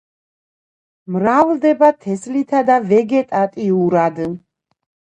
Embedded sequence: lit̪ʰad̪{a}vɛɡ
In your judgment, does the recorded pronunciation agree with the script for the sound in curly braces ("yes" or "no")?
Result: yes